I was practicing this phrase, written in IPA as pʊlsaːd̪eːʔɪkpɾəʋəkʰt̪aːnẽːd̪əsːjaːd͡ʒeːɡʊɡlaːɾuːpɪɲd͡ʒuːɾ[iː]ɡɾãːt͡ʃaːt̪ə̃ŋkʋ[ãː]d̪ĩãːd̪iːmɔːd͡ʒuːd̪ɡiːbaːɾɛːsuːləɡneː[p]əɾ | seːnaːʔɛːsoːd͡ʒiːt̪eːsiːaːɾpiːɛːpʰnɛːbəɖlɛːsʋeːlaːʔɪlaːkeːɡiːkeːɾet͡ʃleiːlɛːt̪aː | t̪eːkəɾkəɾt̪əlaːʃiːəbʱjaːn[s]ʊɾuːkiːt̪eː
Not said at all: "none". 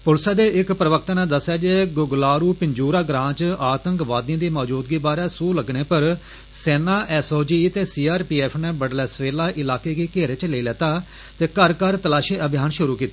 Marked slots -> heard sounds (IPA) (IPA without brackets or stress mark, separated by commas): aː, aː, p, ʃ